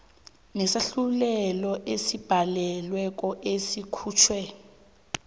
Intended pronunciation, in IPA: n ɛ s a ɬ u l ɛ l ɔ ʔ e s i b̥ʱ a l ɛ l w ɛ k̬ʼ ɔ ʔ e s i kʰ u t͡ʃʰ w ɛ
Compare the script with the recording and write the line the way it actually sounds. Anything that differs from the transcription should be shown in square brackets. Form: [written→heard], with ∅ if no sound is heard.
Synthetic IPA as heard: n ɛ s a ɬ u l ɛ l ɔ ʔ e s i b̥ʱ a l ɛ l w ɛ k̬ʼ ɔ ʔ e s i kʰ [u→uː] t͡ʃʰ w ɛ